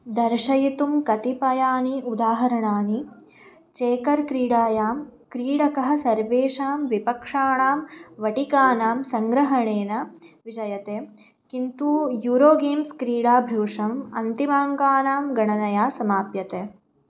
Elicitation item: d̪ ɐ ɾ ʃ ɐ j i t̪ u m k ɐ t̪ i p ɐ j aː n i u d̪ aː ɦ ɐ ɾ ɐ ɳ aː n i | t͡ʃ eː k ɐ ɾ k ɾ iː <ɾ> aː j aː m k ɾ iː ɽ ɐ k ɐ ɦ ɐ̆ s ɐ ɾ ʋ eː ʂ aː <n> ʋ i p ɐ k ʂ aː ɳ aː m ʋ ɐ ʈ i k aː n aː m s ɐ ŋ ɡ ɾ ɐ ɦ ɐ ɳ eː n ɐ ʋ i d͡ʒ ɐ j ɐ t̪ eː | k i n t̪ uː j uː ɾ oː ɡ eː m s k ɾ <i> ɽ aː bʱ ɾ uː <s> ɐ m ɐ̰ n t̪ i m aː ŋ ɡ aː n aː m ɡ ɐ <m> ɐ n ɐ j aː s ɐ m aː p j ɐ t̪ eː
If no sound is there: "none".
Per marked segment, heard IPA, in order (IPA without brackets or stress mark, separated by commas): ɽ, m, iː, ʂ, ɳ